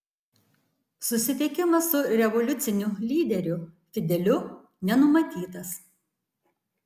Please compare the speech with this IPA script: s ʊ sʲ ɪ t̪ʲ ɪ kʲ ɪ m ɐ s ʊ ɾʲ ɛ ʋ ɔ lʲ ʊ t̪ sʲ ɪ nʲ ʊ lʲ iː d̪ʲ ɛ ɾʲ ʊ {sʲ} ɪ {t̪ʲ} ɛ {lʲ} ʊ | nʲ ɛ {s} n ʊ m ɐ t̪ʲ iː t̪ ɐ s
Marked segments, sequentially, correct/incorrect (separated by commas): incorrect, incorrect, correct, incorrect